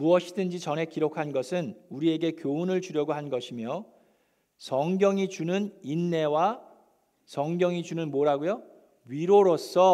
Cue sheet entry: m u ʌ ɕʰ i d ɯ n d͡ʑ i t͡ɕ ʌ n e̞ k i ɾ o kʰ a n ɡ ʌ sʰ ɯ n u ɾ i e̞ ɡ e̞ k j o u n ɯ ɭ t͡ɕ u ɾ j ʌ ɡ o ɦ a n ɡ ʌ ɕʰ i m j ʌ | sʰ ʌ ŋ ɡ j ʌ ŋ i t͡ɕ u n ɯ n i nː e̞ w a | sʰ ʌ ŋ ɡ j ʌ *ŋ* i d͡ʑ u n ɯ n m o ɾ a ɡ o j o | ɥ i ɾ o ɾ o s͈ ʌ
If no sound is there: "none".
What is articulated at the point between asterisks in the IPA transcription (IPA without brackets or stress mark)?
ŋ